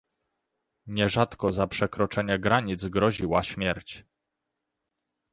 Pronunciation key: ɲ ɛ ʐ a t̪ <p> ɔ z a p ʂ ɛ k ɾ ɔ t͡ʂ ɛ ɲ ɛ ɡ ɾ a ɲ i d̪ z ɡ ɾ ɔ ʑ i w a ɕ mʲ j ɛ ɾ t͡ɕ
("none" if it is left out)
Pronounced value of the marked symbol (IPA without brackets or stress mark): k